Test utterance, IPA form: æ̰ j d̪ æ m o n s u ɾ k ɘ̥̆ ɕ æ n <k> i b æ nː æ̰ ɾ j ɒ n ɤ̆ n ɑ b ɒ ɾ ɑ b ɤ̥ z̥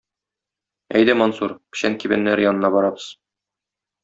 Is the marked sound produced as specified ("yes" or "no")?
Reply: yes